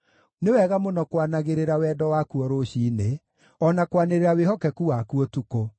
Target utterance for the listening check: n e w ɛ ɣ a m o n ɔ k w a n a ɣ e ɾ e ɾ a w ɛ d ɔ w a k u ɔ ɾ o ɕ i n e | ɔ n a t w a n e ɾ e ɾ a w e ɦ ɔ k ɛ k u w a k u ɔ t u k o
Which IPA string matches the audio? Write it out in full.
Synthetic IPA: n e w ɛ ɣ a m o n ɔ k w a n a ɣ e ɾ e ɾ a w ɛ d ɔ w a k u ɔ ɾ o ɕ i n e | ɔ n a k w a n e ɾ e ɾ a w e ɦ ɔ k ɛ k u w a k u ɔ t u k o